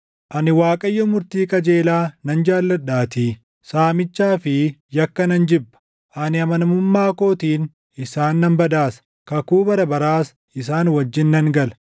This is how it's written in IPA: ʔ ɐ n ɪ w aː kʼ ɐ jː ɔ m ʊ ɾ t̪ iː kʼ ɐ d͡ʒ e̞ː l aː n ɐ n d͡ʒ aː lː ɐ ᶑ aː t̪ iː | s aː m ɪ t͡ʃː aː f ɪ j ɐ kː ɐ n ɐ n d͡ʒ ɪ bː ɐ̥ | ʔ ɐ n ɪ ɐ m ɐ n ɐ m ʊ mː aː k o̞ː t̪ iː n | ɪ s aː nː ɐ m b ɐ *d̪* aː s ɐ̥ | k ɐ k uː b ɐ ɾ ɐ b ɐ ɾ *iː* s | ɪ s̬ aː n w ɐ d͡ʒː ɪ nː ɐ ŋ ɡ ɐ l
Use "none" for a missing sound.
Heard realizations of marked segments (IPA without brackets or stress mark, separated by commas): d̪, aː